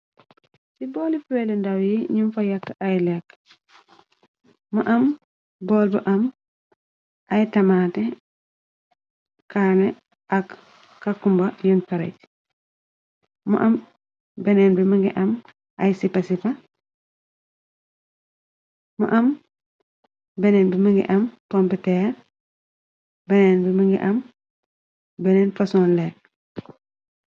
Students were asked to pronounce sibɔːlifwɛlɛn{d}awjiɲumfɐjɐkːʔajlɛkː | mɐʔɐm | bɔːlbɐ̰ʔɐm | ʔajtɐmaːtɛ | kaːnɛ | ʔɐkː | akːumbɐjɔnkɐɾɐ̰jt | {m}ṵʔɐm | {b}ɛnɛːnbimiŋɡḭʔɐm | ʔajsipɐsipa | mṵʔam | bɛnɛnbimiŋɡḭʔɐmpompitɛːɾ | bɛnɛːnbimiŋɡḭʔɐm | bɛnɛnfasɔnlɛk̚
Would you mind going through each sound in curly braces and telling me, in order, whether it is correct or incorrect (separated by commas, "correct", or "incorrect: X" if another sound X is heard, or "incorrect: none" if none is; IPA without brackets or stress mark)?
correct, correct, correct